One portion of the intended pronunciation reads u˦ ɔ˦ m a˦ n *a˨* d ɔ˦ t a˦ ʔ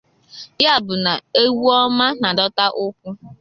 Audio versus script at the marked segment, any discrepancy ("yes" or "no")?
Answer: no